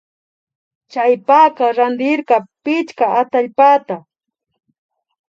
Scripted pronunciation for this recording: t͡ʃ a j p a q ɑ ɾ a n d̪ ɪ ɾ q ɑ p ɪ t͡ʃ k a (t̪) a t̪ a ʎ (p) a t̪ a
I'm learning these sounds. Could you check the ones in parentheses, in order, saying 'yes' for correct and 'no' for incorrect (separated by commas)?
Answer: no, yes